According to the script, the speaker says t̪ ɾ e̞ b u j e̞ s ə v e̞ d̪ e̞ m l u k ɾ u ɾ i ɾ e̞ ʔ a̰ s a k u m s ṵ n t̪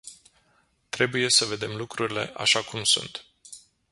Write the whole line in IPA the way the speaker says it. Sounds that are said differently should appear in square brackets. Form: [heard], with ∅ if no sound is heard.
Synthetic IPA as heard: t̪ ɾ e̞ b u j e̞ s ə v e̞ d̪ e̞ m l u k ɾ u ɾ i [l] e̞ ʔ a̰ [ʃ] a k u m s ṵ n t̪